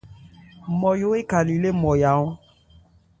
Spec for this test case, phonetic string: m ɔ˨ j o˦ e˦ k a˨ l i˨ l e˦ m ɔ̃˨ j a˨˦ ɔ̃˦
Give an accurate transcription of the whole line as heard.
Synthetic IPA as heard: m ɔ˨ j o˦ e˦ k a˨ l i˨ l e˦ m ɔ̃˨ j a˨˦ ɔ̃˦